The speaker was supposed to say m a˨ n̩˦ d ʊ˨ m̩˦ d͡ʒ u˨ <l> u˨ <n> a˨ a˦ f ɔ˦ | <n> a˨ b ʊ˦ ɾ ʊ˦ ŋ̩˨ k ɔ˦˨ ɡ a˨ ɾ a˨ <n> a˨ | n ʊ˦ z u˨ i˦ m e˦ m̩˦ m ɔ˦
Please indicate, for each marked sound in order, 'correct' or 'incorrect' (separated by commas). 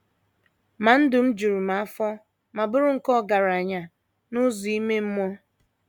incorrect, incorrect, incorrect, incorrect